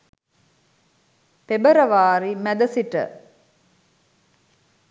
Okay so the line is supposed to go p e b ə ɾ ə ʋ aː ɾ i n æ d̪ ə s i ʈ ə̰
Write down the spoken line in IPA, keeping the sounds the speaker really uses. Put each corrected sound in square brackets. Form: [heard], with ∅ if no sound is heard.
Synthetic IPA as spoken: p e b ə ɾ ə ʋ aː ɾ i [m] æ d̪ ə s i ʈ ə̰